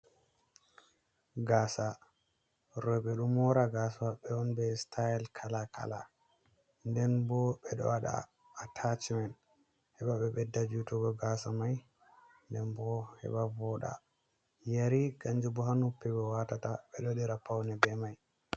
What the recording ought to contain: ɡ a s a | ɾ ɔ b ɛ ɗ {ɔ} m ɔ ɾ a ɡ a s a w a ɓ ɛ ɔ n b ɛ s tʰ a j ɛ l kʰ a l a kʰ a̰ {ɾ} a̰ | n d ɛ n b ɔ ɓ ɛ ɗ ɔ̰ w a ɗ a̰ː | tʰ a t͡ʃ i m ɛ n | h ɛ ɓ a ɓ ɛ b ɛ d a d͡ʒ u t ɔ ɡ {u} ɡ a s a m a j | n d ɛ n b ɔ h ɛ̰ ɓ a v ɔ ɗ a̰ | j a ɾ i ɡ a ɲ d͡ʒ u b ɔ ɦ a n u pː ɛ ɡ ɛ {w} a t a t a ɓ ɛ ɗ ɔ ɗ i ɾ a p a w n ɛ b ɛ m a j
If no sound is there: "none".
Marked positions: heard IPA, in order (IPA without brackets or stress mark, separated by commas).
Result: u, l, ɔ, w